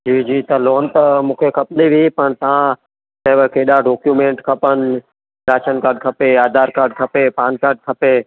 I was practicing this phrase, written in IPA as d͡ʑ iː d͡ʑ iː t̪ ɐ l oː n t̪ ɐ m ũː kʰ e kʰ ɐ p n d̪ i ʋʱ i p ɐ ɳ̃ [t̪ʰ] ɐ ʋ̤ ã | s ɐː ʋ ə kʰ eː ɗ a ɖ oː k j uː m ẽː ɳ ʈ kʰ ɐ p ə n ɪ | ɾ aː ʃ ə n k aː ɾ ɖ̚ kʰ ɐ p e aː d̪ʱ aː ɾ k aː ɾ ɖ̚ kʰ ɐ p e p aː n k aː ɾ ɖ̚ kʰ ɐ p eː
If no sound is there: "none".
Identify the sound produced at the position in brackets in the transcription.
t̪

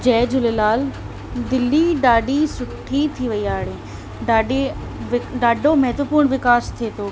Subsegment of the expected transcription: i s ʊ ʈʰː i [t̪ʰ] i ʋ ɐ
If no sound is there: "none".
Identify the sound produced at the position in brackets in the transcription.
t̪ʰ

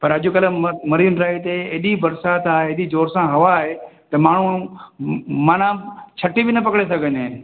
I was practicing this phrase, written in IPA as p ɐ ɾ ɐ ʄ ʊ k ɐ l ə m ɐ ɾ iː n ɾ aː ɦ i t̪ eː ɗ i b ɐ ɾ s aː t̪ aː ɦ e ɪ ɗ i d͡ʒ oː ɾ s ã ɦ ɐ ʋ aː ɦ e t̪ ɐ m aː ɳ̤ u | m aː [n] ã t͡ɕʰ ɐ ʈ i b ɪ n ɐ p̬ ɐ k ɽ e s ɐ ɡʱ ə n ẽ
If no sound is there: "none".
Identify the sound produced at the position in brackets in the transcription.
n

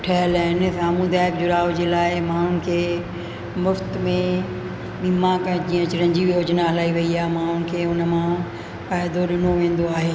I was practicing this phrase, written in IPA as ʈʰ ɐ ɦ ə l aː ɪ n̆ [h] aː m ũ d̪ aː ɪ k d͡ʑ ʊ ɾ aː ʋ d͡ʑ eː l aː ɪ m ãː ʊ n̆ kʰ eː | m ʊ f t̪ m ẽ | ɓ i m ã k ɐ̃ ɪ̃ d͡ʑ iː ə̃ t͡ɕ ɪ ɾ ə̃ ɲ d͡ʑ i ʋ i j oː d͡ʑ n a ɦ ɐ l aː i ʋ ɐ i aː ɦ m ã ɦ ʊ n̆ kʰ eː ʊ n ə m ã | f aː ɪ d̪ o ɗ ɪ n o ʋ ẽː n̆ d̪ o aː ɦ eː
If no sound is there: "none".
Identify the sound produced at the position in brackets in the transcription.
s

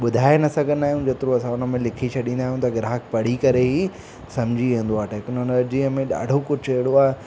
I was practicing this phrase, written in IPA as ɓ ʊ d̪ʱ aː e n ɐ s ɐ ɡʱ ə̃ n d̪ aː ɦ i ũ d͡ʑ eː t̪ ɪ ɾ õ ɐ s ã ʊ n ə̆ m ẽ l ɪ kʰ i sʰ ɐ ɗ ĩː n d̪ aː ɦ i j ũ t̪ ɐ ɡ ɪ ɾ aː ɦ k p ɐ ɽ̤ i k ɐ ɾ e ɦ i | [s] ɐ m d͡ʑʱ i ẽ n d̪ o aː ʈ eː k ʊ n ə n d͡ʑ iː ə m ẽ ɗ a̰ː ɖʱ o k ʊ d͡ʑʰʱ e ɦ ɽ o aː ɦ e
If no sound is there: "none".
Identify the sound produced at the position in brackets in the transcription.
s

